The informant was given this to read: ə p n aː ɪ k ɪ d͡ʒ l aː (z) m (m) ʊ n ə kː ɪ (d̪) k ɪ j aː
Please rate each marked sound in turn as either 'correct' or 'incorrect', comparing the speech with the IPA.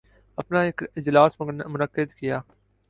incorrect, correct, correct

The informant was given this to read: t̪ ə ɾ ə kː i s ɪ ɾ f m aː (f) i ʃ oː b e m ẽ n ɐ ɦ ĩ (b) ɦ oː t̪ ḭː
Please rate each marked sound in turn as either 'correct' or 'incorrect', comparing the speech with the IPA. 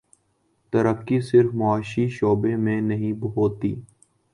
incorrect, correct

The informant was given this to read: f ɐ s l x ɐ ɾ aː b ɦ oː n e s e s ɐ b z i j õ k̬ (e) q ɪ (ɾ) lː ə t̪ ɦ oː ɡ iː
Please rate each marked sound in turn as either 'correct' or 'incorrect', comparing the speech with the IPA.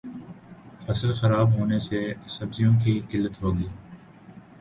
incorrect, incorrect

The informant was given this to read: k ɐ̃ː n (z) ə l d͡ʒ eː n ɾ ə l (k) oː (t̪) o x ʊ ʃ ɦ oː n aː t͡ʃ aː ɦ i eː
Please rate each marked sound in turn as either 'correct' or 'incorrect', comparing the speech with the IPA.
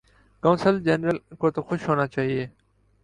incorrect, correct, correct

